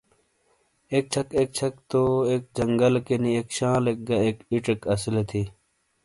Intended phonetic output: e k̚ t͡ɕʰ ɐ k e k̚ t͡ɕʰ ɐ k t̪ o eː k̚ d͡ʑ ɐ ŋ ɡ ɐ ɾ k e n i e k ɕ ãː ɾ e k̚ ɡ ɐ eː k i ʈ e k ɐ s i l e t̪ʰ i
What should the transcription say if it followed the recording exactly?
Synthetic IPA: e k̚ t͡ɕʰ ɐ k e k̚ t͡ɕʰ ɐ k t̪ o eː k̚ d͡ʑ ɐ ŋ ɡ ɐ l k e n i e k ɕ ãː l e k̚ ɡ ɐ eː k i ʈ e k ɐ s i l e t̪ʰ i